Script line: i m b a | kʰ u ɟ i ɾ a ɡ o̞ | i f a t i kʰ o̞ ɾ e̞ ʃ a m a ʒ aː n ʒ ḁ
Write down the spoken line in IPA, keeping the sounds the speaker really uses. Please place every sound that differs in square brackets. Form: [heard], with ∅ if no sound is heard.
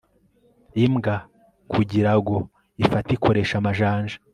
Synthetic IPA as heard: i m [ɡ] a | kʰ u ɟ i ɾ a ɡ o̞ | i f a t i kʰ o̞ ɾ e̞ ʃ a m a ʒ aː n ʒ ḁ

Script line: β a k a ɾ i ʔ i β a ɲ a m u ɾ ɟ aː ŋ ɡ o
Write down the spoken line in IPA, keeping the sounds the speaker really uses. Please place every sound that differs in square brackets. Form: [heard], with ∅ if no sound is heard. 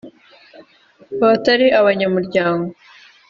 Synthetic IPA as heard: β a [t] a ɾ i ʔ [a] β a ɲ a m u ɾ ɟ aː ŋ ɡ o

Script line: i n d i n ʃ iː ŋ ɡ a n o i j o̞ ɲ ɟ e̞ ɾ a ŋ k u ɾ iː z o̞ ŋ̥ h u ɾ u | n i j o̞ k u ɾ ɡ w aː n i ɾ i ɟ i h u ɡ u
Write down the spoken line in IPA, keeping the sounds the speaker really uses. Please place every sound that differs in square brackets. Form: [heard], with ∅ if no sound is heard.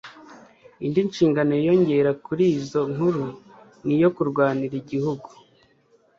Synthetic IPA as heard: i n d i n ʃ iː ŋ ɡ a n o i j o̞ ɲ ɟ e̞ ɾ a [∅] k u ɾ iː z o̞ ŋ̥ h u ɾ u | n i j o̞ k u ɾ ɡ w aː n i ɾ i ɟ i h u ɡ u

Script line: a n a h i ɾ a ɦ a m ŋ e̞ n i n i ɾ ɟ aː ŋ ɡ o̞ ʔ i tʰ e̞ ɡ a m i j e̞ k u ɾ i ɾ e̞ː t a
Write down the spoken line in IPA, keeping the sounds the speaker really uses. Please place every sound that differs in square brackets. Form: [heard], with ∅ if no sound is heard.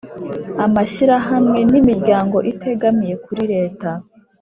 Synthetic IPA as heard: a [m] a [ʃ] i ɾ a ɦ a m ŋ e̞ n i [m] i ɾ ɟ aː ŋ ɡ o̞ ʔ i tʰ e̞ ɡ a m i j e̞ k u ɾ i ɾ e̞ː t a

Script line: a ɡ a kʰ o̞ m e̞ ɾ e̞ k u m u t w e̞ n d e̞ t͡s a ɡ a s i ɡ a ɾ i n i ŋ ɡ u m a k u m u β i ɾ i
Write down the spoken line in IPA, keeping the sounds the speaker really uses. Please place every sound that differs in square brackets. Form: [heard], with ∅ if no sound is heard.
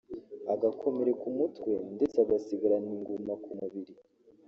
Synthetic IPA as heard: a ɡ a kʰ o̞ m e̞ ɾ e̞ k u m u t w e̞ n d e̞ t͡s a ɡ a s i ɡ a ɾ [a] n i ŋ ɡ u m a k u m u β i ɾ i

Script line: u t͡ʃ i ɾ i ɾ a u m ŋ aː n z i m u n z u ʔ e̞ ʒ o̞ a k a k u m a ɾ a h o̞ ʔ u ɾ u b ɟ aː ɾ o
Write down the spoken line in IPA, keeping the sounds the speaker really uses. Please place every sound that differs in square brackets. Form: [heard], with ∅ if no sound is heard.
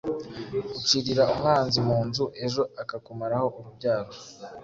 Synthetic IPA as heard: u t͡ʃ i ɾ i ɾ a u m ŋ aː n z i m [uː] n z u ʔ e̞ ʒ o̞ a k a k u m a ɾ a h o̞ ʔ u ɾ u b ɟ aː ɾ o

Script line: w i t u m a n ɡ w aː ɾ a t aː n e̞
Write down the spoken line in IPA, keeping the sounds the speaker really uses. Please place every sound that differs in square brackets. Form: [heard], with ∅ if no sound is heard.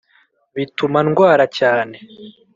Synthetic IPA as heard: [β] i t u m a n ɡ w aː ɾ a [c] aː n e̞

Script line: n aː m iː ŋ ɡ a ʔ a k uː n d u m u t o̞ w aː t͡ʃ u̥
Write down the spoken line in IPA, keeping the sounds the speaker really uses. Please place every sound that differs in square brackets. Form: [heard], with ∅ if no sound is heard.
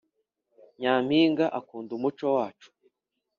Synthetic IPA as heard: [ɲ] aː m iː ŋ ɡ a ʔ a k uː n d u m u [t͡ʃ] o̞ w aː t͡ʃ u̥

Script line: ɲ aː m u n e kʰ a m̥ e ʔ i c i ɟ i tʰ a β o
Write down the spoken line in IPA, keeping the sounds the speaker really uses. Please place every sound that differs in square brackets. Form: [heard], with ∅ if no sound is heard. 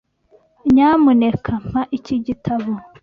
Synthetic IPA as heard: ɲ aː m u n e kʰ a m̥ [a] ʔ i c i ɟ i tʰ a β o

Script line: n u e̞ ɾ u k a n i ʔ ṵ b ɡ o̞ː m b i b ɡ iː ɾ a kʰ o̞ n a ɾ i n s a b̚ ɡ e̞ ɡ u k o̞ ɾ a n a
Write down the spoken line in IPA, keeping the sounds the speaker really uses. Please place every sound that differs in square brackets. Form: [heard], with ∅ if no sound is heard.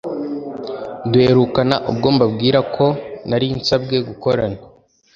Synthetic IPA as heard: [d] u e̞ ɾ u k a n [a] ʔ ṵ b ɡ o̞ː m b [a] b ɡ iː ɾ a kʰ o̞ n a ɾ i n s a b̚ ɡ e̞ ɡ u k o̞ ɾ a n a

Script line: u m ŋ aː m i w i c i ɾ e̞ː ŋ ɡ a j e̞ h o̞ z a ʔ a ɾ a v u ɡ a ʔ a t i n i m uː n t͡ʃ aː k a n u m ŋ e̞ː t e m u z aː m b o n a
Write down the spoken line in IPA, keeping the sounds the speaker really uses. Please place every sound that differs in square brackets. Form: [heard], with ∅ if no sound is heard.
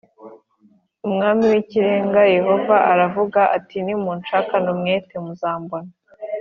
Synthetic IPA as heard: u m ŋ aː m i w i c i ɾ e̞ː ŋ ɡ a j e̞ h o̞ [v] a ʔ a ɾ a v u ɡ a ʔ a t i n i m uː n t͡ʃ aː k a n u m ŋ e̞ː t e m u z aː m b o n a

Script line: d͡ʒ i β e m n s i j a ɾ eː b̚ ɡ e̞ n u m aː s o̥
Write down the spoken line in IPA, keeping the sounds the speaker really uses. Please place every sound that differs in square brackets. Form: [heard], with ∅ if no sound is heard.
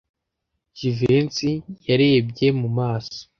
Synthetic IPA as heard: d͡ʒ i [v] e [∅] n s i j a ɾ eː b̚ [ɟ] e̞ [m] u m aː s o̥

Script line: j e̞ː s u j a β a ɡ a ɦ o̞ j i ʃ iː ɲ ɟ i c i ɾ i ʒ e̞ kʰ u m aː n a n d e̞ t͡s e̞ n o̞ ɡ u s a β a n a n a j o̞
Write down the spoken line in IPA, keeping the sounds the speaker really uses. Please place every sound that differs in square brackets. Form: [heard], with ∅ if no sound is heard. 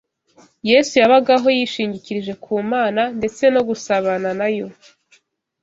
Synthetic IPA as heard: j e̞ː s u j a β a ɡ a ɦ o̞ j i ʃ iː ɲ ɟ i c i ɾ i ʒ e̞ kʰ [uː] m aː n a n d e̞ t͡s e̞ n o̞ ɡ u s a β a n a n a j o̞

